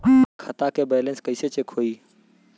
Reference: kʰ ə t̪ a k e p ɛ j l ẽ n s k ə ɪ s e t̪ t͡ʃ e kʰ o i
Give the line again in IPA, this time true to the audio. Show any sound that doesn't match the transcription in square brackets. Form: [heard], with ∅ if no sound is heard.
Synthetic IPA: kʰ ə t̪ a k e [b] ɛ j l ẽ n s k ə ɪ s e [∅] t͡ʃ e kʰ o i